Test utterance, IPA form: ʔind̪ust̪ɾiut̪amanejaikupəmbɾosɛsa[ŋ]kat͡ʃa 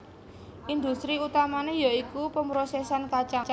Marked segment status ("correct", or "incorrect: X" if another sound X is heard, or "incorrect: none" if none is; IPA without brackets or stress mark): incorrect: n